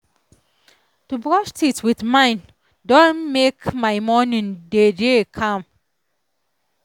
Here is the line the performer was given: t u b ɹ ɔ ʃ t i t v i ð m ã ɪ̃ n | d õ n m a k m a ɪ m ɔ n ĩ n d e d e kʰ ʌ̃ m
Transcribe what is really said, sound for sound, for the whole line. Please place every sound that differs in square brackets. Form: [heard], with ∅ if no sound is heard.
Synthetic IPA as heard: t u b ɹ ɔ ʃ t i t [w] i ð m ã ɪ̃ n | d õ n m [e] k m a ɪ m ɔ n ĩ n d e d e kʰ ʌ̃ m